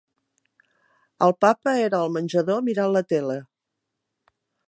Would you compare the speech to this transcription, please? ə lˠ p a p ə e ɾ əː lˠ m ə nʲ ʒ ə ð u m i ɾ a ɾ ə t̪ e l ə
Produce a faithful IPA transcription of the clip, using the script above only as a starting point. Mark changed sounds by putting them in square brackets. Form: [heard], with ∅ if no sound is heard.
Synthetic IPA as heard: ə lˠ p a p ə e ɾ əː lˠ m ə nʲ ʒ ə ð [o] m i ɾ a [l] ə t̪ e l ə